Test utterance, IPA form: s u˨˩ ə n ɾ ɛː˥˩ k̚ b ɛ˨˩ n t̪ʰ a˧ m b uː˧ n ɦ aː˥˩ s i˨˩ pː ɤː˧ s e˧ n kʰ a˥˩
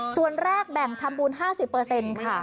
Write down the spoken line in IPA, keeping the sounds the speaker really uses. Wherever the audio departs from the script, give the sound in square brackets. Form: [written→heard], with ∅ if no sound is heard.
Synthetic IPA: s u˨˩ ə n ɾ ɛː˥˩ k̚ b ɛ˨˩ [n→ŋ] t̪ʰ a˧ m b uː˧ n ɦ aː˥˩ s i˨˩ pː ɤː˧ s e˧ n kʰ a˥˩